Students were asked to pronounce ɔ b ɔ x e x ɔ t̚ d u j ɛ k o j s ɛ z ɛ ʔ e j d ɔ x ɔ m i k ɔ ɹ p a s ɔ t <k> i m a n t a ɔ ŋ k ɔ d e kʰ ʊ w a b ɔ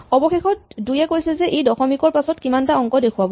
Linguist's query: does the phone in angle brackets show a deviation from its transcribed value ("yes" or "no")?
no